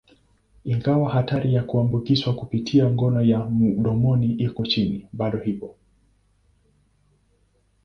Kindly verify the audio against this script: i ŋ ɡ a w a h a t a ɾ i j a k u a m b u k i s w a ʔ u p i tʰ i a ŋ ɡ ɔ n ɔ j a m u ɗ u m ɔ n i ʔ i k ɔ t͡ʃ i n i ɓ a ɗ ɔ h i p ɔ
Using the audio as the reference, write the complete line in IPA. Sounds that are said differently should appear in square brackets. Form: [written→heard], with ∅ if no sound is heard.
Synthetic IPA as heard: i ŋ ɡ a w a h a t a ɾ i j a k u a m b u k i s w a [ʔ→k] u p i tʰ i a ŋ ɡ ɔ n ɔ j a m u ɗ [u→ɔ] m ɔ n i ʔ i k ɔ t͡ʃ i n i ɓ a ɗ ɔ h i p ɔ